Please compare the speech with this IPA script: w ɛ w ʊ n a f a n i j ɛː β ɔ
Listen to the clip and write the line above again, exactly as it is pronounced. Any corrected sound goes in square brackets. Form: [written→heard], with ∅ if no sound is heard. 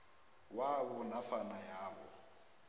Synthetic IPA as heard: w [ɛ→a] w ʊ n a f a n [i→a] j [ɛː→aː] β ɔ